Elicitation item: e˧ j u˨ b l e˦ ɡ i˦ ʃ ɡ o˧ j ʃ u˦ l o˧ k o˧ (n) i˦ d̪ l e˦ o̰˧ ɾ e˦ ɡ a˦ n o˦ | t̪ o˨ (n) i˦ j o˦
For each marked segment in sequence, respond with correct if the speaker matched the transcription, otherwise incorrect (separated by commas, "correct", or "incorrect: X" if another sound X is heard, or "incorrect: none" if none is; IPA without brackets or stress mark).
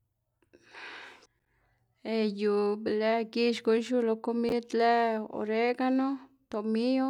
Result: incorrect: m, incorrect: m